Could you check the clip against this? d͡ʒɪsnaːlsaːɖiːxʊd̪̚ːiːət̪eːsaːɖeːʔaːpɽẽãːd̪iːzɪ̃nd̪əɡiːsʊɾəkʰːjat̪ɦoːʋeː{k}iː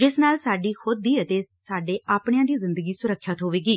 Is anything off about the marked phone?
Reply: yes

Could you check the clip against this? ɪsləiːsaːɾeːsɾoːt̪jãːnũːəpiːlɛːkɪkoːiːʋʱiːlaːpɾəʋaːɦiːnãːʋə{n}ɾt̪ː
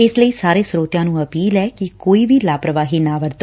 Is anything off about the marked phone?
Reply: yes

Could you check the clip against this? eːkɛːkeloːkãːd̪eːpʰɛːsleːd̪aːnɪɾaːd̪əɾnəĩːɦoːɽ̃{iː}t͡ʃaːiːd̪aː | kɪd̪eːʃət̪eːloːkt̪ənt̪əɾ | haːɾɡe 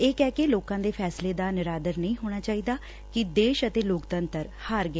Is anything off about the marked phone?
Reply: yes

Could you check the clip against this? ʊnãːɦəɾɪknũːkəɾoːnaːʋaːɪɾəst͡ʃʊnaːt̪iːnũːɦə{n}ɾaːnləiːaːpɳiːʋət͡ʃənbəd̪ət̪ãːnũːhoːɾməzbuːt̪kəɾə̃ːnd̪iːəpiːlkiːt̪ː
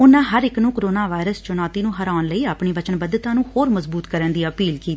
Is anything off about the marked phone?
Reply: yes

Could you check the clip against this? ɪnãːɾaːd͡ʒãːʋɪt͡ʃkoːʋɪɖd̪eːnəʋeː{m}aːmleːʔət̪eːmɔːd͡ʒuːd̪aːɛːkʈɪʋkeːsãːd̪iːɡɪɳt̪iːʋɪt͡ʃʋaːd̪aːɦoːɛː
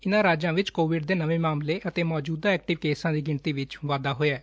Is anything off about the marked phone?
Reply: no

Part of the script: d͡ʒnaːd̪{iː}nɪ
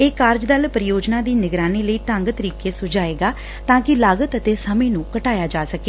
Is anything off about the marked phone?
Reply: no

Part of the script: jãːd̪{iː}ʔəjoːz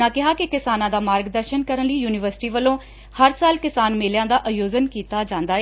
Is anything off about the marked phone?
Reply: yes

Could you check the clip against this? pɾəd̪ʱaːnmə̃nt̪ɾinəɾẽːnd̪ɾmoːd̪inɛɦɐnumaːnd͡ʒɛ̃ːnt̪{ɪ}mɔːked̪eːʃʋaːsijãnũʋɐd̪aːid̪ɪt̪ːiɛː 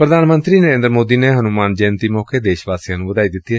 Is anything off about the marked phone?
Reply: yes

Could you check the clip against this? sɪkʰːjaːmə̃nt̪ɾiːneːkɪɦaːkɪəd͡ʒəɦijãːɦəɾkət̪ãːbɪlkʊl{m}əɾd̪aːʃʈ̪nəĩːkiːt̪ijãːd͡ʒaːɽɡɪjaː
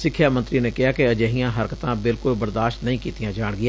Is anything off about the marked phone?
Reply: yes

